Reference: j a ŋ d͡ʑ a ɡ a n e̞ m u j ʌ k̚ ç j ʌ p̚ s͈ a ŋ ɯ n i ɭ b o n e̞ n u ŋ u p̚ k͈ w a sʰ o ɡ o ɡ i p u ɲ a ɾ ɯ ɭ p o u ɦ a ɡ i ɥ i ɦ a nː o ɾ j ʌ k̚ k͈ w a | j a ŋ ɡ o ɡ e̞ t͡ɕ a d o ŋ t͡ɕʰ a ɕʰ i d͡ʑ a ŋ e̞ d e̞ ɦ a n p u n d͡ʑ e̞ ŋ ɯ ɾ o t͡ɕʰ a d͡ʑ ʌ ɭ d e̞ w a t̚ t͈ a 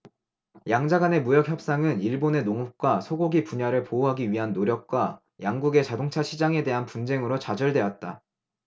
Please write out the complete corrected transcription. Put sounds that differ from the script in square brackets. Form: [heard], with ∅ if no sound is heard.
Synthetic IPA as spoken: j a ŋ d͡ʑ a ɡ a n e̞ m u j ʌ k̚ ç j ʌ p̚ s͈ a ŋ ɯ n i ɭ b o n e̞ n [o] ŋ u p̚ k͈ w a sʰ o ɡ o ɡ i p u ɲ a ɾ ɯ ɭ p o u ɦ a ɡ i ɥ i ɦ a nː o ɾ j ʌ k̚ k͈ w a | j a ŋ ɡ [u] ɡ e̞ t͡ɕ a d o ŋ t͡ɕʰ a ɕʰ i d͡ʑ a ŋ e̞ d e̞ ɦ a n p u n d͡ʑ e̞ ŋ ɯ ɾ o [t͡ɕ] a d͡ʑ ʌ ɭ d e̞ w a t̚ t͈ a